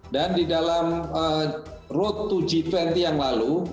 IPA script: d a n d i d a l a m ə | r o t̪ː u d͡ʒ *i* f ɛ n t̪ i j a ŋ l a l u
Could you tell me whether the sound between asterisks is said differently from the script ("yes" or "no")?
no